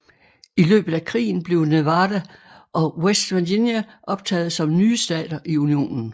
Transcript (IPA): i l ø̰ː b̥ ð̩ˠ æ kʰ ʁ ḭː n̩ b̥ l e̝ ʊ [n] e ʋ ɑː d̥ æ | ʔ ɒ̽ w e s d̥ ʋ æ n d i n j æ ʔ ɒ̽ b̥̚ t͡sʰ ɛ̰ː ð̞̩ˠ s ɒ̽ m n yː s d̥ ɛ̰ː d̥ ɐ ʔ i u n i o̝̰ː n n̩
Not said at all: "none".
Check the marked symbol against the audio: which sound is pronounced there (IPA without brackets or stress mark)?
n